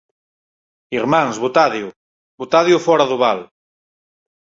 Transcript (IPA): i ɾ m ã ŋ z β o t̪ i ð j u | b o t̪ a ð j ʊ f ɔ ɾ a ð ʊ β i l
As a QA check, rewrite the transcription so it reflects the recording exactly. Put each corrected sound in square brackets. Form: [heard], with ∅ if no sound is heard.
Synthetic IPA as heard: i ɾ m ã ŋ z β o t̪ [a] ð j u | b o t̪ a ð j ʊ f ɔ ɾ a ð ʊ β [a] l